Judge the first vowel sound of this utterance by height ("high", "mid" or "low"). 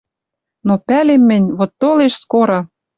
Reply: mid